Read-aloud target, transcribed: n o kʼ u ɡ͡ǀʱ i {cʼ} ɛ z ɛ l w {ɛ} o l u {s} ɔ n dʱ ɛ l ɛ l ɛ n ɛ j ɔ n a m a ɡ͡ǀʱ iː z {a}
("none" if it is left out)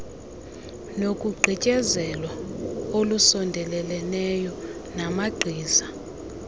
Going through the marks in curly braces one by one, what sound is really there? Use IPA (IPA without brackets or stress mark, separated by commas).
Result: cʼ, a, s, a